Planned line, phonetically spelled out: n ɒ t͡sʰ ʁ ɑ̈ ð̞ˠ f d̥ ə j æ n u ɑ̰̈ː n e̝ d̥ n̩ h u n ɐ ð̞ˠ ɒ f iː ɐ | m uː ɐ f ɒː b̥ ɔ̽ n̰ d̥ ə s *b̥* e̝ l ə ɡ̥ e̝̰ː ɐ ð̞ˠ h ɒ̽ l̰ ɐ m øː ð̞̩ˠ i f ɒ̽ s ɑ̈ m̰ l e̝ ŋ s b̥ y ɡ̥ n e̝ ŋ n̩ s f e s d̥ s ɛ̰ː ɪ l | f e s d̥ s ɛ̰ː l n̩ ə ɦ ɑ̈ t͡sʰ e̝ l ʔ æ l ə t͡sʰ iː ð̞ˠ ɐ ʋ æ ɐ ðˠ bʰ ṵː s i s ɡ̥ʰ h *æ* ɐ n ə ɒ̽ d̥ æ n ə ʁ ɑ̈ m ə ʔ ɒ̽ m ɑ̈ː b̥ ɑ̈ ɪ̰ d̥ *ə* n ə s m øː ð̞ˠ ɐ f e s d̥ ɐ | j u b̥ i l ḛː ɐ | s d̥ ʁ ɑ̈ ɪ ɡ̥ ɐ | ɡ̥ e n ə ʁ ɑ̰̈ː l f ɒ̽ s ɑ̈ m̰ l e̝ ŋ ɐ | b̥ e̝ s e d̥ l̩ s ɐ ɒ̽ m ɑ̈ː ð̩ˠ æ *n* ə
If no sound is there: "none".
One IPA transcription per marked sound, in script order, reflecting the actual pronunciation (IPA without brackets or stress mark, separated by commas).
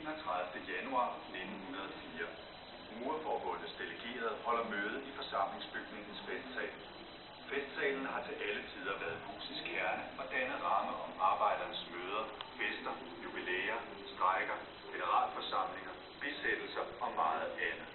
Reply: d̥, æ, ɐ, n